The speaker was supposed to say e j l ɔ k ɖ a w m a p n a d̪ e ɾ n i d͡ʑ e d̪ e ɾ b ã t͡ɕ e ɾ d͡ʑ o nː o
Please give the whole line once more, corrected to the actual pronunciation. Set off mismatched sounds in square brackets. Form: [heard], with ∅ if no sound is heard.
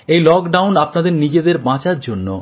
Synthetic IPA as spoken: e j l ɔ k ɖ a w [n] a p n a d̪ e ɾ n i d͡ʑ e d̪ e ɾ b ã t͡ɕ [a] ɾ d͡ʑ o nː o